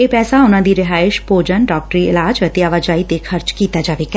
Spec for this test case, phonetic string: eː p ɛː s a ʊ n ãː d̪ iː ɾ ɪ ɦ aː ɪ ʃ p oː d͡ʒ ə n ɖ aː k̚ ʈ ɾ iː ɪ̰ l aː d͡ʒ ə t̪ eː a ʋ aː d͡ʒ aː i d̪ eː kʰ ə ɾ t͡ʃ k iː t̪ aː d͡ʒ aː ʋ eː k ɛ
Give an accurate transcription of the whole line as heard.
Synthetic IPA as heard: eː p ɛː s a ʊ n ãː d̪ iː ɾ ɪ ɦ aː ɪ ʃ p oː d͡ʒ ə n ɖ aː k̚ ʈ ɾ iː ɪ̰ l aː d͡ʒ ə t̪ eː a ʋ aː d͡ʒ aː i t̪ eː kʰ ə ɾ t͡ʃ k iː t̪ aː d͡ʒ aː ʋ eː k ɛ